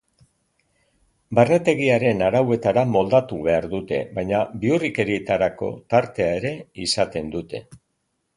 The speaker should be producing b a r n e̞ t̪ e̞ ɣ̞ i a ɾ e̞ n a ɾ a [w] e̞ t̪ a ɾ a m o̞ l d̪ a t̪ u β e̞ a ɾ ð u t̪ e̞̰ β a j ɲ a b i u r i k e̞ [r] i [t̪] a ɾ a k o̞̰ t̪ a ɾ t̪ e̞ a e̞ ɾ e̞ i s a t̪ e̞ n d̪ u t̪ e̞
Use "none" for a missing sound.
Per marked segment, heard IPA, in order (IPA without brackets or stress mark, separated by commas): w, ɾ, t̪